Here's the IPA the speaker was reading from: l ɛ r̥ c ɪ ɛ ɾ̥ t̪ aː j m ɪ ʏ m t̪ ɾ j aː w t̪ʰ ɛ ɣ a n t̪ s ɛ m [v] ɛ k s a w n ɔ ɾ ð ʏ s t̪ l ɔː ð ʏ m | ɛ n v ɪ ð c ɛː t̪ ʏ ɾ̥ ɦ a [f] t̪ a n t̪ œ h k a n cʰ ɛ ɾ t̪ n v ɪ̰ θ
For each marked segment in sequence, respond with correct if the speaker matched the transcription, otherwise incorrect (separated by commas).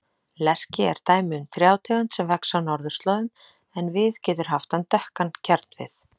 correct, correct